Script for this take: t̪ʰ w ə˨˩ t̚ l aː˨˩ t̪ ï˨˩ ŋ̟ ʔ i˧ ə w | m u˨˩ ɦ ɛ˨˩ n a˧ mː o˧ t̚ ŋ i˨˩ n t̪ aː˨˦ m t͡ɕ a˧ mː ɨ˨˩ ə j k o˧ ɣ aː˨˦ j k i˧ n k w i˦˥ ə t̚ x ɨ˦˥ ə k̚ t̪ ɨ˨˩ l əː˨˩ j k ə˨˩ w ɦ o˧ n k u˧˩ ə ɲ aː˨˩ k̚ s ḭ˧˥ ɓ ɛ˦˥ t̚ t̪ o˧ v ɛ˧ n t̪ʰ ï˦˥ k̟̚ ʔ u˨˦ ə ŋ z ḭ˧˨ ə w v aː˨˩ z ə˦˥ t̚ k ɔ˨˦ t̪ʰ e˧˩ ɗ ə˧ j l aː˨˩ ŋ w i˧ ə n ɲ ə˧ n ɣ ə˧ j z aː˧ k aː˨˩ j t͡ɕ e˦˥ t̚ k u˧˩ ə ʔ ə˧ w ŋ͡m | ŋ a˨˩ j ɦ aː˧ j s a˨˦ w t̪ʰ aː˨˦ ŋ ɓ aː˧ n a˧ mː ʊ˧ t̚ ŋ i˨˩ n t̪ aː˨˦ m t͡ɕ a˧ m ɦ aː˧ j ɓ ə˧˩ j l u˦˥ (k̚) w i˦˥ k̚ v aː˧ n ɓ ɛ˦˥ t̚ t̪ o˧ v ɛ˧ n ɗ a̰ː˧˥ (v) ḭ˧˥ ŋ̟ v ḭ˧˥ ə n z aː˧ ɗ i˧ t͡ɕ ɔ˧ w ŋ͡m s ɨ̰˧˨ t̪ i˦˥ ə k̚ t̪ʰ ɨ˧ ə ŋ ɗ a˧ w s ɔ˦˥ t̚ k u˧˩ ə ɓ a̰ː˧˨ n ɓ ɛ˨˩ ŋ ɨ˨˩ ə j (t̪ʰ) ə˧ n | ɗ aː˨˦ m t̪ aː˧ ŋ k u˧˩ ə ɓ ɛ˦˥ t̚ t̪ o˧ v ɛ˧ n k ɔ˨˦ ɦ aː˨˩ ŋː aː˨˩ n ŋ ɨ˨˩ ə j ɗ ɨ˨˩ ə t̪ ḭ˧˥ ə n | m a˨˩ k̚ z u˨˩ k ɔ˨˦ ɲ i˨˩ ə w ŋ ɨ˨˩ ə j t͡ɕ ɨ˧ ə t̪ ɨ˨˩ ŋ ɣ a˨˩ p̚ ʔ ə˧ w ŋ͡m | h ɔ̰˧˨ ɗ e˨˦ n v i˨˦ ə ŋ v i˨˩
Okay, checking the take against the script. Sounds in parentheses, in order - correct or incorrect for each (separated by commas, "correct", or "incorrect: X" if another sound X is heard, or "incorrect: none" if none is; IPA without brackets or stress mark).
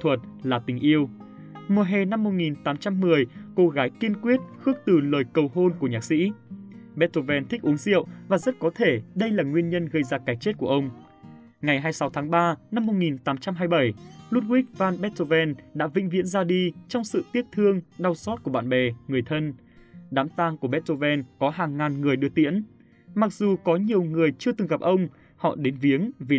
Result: incorrect: t̚, correct, correct